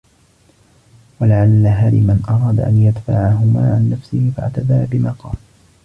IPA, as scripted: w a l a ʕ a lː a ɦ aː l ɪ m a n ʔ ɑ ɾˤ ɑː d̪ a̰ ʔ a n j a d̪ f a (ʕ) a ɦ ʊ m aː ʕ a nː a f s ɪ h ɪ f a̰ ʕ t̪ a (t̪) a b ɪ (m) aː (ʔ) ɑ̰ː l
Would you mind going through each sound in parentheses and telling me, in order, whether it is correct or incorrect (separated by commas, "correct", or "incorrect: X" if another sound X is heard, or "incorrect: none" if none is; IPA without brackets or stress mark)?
correct, incorrect: d̪, correct, incorrect: q